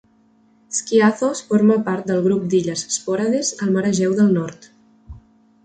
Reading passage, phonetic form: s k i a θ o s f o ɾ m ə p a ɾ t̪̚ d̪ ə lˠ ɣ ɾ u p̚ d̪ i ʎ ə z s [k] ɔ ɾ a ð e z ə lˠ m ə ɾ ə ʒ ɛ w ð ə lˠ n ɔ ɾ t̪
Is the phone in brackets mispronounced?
yes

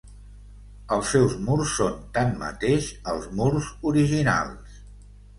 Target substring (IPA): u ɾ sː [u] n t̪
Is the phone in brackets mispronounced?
yes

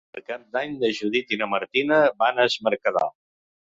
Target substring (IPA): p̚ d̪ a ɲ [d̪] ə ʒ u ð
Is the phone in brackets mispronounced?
no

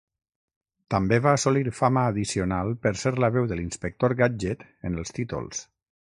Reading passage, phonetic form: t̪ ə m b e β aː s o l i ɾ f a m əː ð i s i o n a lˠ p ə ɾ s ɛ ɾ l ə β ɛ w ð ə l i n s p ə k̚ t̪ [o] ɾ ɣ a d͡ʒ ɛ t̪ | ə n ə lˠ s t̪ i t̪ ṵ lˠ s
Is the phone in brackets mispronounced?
no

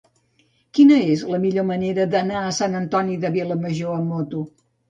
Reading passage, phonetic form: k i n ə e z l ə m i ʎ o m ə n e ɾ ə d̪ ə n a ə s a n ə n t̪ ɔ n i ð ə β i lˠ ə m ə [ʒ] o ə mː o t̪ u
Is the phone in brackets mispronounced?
no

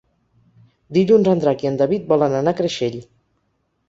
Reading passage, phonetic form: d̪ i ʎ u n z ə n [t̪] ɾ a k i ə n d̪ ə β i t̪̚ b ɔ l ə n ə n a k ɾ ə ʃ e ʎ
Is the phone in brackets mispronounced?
yes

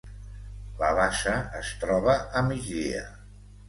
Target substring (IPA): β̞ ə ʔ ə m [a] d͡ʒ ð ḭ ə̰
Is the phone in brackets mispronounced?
yes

